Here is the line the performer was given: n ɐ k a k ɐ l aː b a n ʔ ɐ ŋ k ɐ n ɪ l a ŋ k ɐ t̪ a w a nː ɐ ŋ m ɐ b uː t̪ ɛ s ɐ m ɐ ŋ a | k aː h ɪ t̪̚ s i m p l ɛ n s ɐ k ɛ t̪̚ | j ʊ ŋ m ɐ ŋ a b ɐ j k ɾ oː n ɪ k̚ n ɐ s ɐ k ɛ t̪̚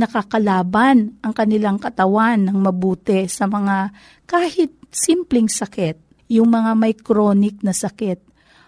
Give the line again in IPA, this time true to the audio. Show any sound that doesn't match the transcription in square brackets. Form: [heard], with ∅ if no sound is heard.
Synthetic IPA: n ɐ k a k ɐ l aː b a n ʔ ɐ ŋ k ɐ n ɪ l a ŋ k ɐ t̪ [ɐ] w a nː ɐ ŋ m ɐ b uː t̪ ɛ s ɐ m ɐ ŋ a | k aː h ɪ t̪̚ s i m p l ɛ [ŋ] s ɐ k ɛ t̪̚ | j ʊ ŋ m ɐ ŋ a [m] ɐ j k ɾ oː n ɪ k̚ n ɐ s ɐ k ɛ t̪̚